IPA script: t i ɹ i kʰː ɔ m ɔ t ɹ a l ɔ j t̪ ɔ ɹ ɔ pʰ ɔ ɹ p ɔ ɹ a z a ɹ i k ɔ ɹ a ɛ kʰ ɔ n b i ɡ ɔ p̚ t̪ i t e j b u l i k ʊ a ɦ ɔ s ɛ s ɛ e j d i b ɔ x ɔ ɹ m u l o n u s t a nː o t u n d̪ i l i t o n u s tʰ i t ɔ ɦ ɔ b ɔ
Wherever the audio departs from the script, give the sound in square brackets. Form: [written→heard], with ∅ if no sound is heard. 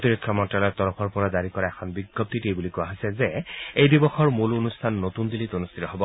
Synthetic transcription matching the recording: t i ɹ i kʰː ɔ m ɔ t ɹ a l ɔ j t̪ ɔ ɹ ɔ pʰ ɔ ɹ p ɔ ɹ a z a ɹ i k ɔ ɹ a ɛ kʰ ɔ n b i ɡ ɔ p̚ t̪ i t e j b u l i k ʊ a ɦ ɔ s ɛ [s→z] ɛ e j d i b ɔ x ɔ ɹ m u l o n u s [t→tʰ] a nː o t u n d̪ i l i t o n u s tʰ i t ɔ ɦ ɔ b ɔ